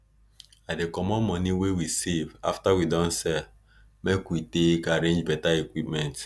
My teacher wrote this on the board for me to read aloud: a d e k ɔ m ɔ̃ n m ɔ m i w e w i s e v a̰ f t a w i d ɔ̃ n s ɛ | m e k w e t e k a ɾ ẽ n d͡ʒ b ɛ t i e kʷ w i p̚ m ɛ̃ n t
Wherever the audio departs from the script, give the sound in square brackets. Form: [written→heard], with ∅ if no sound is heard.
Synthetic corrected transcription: a d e k ɔ m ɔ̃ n m ɔ [m→n] i w e w i s e v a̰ f t a w i d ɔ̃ n s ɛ | m e k w [e→i] t e k a ɾ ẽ n d͡ʒ b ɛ t [i→a] e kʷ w i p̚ m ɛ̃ n t